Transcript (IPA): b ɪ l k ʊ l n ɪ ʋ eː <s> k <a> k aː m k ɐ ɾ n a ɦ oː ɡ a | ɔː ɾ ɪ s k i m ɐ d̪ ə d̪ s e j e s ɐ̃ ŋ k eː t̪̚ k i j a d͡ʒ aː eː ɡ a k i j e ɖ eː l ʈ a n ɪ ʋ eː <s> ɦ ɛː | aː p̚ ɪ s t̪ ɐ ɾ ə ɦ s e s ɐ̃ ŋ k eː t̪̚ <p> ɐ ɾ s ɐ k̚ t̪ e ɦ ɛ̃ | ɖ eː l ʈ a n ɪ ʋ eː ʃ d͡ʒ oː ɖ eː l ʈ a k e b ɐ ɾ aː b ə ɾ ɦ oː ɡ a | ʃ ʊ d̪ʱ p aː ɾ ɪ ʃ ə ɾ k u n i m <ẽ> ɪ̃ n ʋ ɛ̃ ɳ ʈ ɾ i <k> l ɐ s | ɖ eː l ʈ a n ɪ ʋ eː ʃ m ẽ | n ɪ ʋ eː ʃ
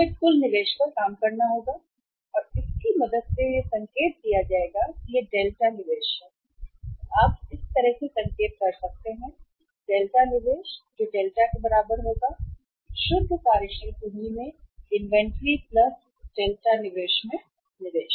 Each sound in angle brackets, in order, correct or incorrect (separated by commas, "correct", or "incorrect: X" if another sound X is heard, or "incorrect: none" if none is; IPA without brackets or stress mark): incorrect: ʃ, correct, incorrect: ʃ, incorrect: k, correct, incorrect: p